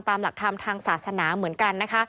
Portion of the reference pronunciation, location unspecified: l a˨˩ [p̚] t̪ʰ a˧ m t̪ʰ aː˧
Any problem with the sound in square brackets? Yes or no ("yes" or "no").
yes